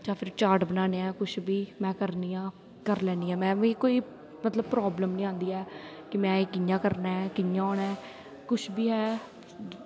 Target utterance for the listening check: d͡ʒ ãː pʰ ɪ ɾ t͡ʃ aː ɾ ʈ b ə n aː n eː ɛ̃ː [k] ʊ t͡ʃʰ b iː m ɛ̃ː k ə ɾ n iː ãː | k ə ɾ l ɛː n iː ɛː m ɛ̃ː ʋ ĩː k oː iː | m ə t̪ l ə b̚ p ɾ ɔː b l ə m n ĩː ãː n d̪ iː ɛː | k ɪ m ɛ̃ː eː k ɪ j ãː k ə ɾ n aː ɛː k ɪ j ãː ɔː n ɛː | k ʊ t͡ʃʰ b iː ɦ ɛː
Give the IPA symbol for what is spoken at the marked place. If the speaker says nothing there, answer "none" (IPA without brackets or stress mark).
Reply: k